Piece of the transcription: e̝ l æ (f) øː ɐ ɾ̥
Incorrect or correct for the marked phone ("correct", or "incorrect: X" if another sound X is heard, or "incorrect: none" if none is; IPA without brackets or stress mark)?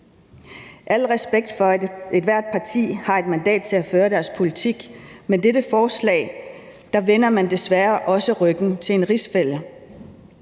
correct